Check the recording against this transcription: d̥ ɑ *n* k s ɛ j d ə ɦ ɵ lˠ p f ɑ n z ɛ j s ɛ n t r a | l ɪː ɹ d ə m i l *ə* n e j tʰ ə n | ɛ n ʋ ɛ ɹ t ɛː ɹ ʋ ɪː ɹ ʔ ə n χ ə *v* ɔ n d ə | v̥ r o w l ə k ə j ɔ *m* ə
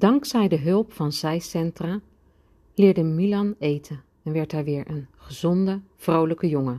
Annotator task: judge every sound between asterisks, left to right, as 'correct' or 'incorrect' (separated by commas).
incorrect, incorrect, incorrect, incorrect